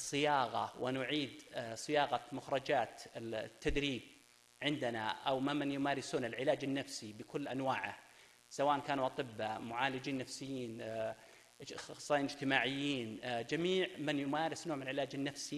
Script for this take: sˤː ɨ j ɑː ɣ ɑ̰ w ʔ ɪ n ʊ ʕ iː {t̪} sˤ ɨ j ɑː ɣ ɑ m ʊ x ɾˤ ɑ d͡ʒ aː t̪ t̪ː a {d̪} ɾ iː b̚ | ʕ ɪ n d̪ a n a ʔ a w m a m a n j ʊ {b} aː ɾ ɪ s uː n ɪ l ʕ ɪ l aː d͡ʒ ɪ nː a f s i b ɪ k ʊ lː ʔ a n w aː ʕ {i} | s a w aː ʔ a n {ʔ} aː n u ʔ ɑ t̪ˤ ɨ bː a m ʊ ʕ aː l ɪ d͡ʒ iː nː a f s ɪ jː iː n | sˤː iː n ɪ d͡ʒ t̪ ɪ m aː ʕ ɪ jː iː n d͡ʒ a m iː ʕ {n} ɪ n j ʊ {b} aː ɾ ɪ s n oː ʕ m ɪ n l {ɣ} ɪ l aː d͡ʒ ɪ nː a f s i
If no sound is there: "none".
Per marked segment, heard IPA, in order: d̪, d̪, m, a, k, m, m, ʕ

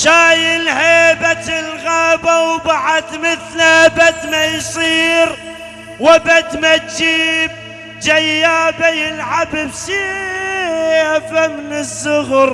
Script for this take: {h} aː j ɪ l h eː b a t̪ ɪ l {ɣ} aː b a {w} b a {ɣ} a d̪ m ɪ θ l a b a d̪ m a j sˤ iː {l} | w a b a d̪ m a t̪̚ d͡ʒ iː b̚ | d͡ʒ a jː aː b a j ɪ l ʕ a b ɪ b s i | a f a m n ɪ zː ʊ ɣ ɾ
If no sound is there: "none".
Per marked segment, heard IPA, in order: ʃ, ɣ, w, ʕ, ɾ

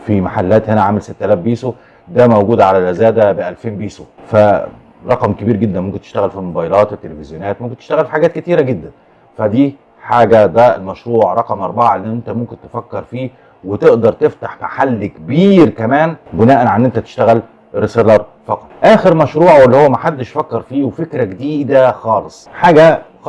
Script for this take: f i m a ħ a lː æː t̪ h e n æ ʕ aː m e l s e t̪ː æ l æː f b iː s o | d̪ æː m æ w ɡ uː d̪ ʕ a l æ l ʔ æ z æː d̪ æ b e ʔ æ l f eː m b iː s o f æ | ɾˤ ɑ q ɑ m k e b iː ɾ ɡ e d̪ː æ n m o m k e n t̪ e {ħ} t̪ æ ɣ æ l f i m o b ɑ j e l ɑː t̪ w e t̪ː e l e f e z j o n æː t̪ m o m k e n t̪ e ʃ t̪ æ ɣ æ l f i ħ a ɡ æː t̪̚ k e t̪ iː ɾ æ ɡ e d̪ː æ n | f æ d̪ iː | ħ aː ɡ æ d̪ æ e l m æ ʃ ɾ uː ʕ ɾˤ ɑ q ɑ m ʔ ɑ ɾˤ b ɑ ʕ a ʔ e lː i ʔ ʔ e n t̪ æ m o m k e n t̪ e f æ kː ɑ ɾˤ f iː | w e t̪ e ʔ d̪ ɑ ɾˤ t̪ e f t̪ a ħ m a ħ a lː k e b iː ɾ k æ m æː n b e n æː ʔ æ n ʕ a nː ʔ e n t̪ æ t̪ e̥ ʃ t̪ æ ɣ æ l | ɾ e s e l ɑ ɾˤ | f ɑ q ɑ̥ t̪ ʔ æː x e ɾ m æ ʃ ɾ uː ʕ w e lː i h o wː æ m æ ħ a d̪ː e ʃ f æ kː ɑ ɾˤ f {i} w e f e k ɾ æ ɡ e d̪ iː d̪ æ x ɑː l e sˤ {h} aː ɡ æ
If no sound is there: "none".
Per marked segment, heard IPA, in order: ʃ, iː, ħ

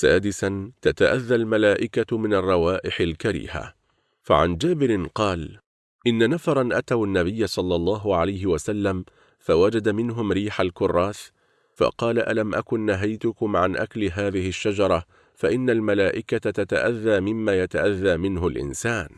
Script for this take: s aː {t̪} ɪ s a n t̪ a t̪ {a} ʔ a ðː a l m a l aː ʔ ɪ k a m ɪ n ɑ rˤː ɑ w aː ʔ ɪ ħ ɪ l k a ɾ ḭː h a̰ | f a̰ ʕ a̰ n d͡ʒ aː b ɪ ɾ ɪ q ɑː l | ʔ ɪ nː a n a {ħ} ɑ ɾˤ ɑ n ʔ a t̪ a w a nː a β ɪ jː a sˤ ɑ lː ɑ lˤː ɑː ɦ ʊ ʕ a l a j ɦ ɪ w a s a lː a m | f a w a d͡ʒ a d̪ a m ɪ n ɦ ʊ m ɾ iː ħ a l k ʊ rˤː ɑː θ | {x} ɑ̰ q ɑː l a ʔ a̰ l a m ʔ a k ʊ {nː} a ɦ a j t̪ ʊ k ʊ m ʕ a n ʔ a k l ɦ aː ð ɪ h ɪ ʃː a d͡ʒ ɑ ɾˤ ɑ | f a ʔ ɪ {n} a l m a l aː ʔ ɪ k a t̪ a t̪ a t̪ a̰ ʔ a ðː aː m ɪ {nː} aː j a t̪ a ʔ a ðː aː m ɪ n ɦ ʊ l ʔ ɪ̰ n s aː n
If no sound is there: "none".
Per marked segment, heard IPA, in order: d̪, a, f, f, nː, nː, mː

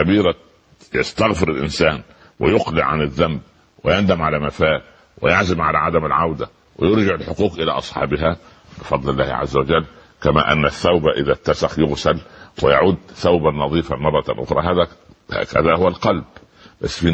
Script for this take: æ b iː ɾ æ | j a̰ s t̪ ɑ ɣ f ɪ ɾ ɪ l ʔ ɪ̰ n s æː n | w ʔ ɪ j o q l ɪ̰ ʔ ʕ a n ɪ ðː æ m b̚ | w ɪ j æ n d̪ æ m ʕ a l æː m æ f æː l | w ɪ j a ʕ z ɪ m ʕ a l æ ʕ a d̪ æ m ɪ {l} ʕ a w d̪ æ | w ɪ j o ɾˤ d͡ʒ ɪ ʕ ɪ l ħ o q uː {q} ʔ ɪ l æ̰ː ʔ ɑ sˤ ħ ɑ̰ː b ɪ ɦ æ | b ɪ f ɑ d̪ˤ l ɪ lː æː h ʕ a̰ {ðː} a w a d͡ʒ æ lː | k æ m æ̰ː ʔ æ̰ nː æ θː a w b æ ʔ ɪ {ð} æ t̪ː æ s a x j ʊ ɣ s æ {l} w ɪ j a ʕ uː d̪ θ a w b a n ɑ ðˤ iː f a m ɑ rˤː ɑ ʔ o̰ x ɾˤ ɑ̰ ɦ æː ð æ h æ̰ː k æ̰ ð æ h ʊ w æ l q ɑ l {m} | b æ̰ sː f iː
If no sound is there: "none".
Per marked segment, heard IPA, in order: l, q, zː, ð, l, b

